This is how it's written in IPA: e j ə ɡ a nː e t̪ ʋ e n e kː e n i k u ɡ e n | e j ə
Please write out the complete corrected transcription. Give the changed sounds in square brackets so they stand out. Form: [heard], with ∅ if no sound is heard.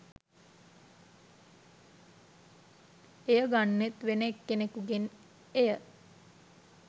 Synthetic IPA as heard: e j ə ɡ a nː e t̪ ʋ e n e kː e n [e] k u ɡ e n | e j ə